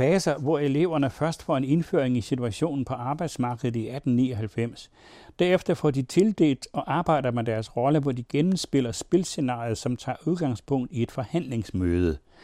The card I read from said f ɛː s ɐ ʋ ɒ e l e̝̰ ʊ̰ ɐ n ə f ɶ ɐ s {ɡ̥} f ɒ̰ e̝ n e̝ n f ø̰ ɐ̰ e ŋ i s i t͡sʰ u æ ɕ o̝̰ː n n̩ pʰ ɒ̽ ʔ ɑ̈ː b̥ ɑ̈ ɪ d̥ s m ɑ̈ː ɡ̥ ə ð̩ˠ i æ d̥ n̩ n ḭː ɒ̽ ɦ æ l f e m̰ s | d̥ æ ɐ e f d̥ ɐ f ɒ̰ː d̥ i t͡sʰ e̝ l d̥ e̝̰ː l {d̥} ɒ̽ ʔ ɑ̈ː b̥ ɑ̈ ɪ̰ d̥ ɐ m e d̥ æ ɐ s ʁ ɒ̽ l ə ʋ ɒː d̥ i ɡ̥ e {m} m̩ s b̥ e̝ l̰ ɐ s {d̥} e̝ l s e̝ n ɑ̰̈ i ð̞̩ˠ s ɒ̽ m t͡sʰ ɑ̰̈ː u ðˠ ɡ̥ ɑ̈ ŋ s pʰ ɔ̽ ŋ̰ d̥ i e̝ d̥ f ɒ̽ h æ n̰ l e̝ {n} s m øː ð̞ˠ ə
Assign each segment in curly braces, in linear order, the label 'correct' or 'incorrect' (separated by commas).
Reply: incorrect, correct, incorrect, incorrect, incorrect